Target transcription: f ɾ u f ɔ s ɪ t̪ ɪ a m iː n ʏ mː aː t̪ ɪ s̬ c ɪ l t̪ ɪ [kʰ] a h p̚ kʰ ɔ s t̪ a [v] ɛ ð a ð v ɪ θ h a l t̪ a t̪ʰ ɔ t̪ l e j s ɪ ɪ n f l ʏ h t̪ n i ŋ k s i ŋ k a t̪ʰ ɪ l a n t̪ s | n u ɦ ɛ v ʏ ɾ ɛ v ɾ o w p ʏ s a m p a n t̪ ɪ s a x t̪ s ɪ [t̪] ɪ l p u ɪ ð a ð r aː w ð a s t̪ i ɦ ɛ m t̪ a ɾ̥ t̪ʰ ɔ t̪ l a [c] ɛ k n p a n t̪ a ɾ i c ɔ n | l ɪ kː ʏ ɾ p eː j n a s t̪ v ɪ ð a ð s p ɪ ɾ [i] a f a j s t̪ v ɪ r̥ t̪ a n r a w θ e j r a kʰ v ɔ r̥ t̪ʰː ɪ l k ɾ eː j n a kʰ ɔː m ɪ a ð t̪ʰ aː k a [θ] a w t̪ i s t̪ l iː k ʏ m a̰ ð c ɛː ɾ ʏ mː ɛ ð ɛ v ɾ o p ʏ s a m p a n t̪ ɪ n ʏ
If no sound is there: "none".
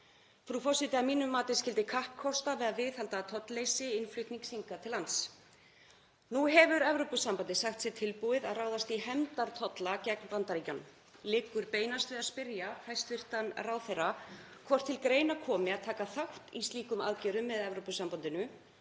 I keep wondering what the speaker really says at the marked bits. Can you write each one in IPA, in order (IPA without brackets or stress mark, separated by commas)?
kʰ, v, t̪ʰ, c, j, θ